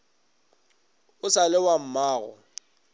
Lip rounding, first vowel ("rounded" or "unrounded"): rounded